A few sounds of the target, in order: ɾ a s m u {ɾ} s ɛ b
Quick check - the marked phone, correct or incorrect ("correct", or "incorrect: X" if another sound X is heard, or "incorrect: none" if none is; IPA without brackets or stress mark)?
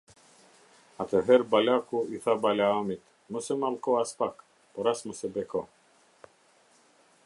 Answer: incorrect: none